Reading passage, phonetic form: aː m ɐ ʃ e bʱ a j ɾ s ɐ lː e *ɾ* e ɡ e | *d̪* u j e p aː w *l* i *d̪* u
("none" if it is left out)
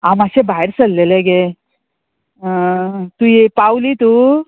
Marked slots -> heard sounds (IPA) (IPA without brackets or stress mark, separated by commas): l, t̪, l, t̪